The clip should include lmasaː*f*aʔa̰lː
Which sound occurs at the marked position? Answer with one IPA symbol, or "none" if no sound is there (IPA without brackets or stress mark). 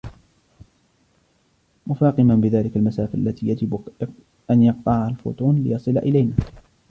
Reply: f